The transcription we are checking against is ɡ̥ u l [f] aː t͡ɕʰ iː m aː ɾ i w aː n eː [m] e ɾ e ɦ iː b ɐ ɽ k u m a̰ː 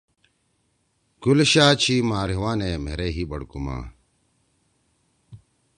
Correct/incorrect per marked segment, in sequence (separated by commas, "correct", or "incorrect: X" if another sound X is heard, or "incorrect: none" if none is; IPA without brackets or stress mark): incorrect: ɕ, correct